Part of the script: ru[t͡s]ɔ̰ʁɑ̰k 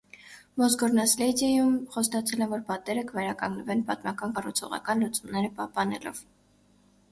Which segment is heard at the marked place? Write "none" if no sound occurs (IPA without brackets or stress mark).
t͡sʰ